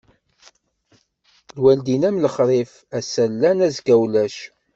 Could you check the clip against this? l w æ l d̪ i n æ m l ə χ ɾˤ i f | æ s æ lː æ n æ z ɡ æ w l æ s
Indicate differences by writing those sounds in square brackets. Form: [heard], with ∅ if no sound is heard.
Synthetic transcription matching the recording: l w æ l d̪ i n æ m l ə χ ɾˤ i f | æ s æ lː æ n æ z ɡ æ w l æ [ʃ]